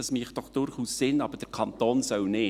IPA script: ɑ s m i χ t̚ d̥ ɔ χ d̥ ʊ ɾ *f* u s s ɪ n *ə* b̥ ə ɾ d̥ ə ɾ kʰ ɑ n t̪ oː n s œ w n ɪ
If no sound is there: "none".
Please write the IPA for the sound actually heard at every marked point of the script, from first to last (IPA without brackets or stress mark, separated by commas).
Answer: χ, ɑ